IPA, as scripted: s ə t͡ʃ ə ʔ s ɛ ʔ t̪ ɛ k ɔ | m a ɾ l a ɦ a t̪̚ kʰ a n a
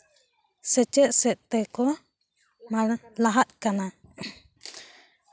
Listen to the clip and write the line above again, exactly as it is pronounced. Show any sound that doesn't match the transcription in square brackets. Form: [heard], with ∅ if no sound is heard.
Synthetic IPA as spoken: s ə t͡ʃ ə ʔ s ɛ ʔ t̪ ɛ k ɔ | m a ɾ l a ɦ a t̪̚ [k] a n a